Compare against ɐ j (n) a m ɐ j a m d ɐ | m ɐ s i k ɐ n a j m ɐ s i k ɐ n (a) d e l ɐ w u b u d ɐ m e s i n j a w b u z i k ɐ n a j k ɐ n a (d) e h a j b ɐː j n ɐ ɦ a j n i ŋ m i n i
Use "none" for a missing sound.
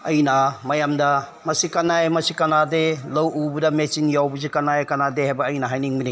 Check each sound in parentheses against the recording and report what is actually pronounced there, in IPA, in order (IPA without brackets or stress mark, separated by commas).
n, a, d